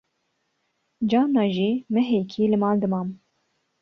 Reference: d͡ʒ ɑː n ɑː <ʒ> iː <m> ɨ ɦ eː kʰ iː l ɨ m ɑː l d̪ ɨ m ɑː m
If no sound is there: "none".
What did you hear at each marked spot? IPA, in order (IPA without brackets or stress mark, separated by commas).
ʒ, m